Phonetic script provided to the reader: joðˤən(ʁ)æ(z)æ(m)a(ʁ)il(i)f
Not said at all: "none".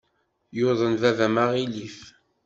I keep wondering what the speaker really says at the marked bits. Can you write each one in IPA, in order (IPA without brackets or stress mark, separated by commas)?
v, v, m, ʁ, i